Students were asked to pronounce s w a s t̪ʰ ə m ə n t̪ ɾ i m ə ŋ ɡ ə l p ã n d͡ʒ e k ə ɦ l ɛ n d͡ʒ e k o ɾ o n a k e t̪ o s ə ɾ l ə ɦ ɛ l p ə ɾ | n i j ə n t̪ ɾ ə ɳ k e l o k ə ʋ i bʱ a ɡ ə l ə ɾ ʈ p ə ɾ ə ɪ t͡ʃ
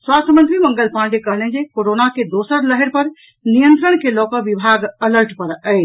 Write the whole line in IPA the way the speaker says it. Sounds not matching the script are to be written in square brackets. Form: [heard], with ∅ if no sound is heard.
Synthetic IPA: s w a s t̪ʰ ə m ə n t̪ ɾ i m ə ŋ ɡ ə l p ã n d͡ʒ e k ə ɦ l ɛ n d͡ʒ e k o ɾ o n a k e [d̪] o s ə ɾ l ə ɦ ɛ [ɾ] p ə ɾ | n i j ə n t̪ ɾ ə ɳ k e l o k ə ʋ i bʱ a ɡ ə l ə ɾ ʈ p ə ɾ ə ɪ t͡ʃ